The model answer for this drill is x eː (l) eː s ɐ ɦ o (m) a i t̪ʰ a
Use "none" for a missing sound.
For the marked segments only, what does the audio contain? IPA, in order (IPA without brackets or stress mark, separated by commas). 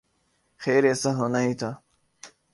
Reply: ɾ, n